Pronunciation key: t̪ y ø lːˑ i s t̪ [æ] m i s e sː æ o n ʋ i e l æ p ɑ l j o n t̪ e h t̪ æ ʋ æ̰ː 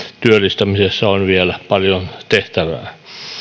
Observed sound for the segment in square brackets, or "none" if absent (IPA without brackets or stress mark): æ